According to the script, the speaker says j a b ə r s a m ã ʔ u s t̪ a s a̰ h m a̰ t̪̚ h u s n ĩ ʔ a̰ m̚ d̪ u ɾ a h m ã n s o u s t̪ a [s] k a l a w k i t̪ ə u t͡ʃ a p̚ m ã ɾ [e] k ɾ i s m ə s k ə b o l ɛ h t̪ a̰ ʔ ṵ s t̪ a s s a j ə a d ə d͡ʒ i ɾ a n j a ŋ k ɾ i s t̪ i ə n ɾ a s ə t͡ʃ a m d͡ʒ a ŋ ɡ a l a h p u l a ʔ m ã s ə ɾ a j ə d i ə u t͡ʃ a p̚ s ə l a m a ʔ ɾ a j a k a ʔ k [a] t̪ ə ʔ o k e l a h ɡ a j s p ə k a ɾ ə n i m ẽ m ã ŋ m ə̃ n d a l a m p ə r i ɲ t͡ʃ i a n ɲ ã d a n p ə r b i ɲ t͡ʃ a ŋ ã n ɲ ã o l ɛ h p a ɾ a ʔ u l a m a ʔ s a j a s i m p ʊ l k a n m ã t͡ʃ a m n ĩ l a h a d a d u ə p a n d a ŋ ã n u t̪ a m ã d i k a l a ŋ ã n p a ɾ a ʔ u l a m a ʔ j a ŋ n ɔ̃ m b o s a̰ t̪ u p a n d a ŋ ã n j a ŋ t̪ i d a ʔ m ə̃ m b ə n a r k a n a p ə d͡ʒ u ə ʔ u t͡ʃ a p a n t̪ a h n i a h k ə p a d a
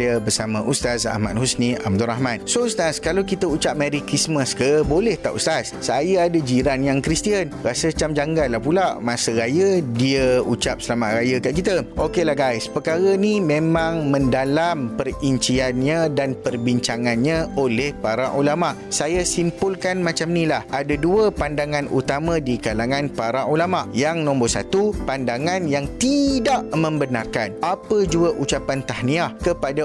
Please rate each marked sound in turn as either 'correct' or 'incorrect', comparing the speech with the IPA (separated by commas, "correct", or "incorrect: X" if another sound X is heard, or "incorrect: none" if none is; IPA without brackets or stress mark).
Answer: correct, incorrect: i, incorrect: i